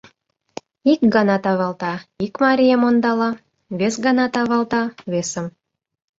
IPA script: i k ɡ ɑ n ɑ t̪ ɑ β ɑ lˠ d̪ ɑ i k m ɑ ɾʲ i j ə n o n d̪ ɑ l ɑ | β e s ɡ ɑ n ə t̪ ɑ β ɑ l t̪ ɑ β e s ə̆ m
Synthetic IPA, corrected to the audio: i k ɡ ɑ n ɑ t̪ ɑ β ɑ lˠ t̪ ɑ i k m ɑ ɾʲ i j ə m o n d̪ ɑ l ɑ | β e s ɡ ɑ n ɑ t̪ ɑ β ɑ l t̪ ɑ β e s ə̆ m